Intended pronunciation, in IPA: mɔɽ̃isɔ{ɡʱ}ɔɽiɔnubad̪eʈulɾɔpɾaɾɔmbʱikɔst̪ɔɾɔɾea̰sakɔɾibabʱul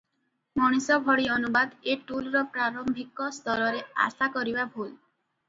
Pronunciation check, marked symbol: incorrect: bʱ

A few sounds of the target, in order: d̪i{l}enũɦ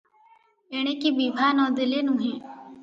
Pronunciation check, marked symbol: correct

